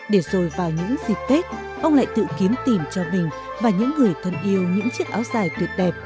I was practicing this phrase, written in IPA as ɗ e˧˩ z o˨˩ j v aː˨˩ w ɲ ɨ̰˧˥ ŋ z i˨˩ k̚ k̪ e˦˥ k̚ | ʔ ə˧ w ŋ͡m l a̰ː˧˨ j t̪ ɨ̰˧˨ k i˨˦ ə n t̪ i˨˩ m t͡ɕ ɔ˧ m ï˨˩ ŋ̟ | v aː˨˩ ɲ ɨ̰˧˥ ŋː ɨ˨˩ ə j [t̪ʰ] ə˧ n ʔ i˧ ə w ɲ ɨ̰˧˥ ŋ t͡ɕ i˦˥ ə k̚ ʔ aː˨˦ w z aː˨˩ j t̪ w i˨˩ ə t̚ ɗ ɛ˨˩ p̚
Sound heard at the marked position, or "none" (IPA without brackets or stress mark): t̪ʰ